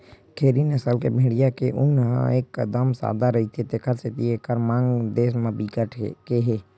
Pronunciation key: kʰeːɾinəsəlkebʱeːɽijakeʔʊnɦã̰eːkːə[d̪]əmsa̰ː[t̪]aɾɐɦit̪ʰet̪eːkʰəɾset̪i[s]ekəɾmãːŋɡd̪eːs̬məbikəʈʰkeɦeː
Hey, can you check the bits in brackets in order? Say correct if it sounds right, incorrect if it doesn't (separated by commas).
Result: correct, incorrect, incorrect